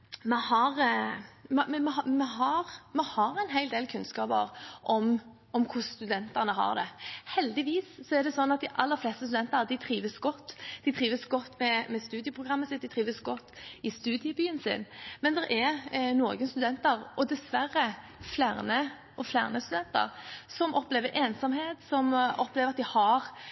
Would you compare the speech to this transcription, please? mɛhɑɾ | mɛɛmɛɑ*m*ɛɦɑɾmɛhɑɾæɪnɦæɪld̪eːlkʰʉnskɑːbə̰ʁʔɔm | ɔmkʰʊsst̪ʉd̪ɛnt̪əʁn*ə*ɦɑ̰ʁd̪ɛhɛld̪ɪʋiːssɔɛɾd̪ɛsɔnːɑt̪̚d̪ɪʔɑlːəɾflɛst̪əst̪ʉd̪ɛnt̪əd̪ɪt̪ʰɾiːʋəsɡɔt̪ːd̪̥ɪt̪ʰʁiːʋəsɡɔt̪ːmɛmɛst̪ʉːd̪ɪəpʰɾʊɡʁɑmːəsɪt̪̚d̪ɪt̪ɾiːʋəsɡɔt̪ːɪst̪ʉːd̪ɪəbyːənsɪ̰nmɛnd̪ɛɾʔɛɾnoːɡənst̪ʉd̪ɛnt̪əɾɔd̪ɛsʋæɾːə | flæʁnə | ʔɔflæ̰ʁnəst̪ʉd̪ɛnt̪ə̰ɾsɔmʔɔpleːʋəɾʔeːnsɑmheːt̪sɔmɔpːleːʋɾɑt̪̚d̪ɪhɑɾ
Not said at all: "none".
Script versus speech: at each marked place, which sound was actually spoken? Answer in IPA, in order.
m, ə

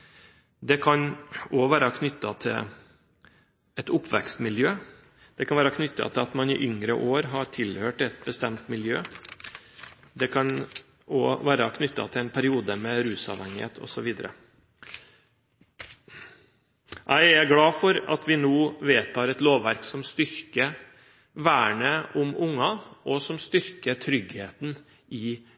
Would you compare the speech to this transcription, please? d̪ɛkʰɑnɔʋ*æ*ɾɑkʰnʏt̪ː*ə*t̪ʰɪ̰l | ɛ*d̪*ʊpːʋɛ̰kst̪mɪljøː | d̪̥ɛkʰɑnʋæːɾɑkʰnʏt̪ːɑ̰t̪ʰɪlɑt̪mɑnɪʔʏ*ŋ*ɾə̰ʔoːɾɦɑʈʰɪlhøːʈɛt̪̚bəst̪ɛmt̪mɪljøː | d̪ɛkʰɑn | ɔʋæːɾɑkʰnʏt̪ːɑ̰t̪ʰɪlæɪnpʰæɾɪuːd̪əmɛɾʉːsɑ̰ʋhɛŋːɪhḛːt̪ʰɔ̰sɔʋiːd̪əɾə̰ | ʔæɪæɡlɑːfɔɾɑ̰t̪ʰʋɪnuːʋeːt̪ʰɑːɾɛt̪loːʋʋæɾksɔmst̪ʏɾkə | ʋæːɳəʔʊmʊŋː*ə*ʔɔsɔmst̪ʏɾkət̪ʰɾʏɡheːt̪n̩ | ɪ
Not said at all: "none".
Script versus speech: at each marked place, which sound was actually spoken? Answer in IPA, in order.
æː, ɑ, t̪, ŋ, ɑ

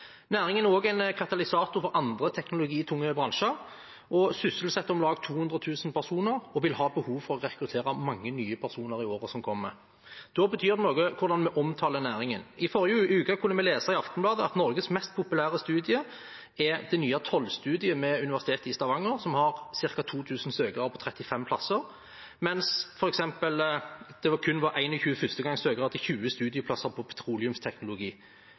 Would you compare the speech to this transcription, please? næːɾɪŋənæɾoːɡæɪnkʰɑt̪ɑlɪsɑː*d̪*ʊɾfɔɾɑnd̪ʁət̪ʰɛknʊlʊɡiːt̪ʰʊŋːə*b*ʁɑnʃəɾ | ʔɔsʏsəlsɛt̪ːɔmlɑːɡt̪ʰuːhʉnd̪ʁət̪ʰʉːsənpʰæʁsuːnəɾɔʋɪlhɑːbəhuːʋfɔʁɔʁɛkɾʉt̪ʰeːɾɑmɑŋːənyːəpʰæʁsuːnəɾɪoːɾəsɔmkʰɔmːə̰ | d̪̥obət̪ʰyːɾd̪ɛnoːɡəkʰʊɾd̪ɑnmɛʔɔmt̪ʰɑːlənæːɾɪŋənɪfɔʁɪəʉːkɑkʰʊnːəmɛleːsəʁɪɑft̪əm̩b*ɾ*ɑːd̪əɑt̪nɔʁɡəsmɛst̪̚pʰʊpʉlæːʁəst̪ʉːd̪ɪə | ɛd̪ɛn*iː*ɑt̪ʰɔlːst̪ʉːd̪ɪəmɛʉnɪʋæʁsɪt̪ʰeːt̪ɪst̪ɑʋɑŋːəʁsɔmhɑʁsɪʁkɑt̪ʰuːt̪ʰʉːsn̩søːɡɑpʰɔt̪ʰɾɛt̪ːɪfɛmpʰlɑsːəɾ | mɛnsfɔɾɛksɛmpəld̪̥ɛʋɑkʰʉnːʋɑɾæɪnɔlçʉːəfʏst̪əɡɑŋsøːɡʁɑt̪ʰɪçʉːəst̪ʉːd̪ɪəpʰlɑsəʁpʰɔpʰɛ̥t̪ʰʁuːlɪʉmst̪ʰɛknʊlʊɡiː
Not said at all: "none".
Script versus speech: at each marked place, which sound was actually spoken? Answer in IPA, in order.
t̪, b, l, yː

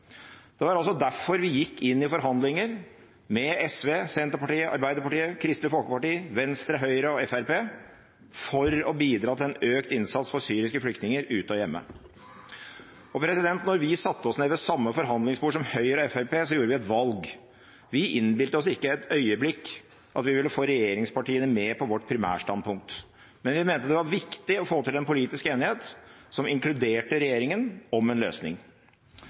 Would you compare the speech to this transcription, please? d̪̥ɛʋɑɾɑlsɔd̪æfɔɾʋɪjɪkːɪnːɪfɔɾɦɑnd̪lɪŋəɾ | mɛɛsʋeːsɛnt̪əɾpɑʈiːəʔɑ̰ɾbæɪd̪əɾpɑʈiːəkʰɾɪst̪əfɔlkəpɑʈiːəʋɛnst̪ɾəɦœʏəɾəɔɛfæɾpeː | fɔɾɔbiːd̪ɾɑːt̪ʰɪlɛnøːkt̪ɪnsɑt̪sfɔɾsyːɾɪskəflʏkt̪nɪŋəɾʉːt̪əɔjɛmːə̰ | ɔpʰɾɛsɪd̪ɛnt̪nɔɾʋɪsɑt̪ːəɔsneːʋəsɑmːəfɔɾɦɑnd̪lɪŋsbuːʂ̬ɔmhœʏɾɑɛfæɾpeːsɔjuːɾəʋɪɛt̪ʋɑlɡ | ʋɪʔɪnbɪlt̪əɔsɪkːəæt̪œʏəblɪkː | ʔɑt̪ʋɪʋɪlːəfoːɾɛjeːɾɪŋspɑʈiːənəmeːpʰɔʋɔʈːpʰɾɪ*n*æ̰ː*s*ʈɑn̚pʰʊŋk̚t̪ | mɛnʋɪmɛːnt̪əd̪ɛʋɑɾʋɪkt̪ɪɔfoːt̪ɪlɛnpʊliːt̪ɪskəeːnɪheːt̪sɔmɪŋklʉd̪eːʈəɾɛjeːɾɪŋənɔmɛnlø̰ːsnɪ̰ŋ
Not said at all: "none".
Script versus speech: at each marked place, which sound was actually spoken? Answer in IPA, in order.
m, ʂ

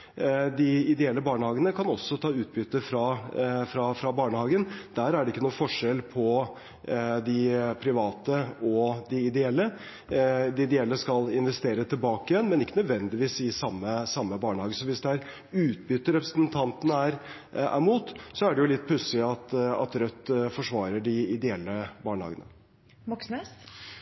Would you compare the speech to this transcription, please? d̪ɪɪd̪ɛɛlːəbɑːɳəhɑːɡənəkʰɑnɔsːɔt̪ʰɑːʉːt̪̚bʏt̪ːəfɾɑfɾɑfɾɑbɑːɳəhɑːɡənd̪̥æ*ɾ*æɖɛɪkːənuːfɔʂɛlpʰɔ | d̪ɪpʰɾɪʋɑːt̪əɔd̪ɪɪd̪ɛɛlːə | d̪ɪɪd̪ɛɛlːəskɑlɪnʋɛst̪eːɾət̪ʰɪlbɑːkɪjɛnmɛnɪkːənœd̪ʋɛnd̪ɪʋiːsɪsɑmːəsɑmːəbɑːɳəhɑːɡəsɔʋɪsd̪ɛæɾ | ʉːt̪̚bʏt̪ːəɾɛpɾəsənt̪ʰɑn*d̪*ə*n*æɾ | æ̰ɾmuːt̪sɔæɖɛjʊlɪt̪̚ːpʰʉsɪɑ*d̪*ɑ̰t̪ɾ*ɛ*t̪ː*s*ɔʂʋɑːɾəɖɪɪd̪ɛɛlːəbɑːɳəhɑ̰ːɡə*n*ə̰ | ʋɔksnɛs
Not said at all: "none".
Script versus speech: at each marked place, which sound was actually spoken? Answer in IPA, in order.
ɾ, t̪, n, t̪, œ, f, n

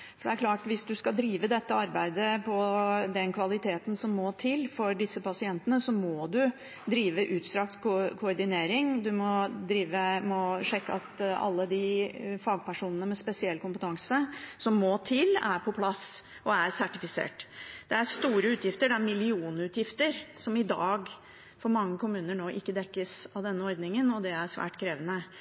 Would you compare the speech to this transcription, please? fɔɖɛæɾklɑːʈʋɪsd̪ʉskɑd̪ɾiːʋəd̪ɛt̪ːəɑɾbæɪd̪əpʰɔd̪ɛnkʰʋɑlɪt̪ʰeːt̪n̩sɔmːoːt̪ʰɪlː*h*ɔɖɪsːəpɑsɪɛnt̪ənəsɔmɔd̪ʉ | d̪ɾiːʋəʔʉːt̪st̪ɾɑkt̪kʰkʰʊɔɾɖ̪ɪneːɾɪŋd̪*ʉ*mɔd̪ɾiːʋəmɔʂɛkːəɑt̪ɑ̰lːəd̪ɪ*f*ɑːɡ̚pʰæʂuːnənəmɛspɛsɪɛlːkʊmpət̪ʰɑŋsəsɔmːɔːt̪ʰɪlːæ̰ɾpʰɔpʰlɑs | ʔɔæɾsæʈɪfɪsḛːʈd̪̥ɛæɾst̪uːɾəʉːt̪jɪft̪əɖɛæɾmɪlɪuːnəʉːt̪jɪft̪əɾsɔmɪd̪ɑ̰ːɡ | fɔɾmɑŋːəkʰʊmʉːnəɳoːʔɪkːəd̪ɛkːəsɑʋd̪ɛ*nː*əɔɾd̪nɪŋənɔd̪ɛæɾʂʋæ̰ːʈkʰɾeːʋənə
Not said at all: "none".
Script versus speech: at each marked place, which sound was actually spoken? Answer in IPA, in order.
f, ʉ, f, nː

